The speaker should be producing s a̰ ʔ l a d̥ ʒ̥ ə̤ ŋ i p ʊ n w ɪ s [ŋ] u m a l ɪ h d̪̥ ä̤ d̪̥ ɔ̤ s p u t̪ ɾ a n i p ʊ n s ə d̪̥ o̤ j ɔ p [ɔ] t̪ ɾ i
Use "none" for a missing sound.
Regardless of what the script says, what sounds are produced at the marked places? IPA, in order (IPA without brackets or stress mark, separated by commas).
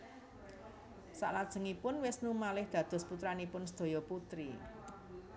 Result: n, u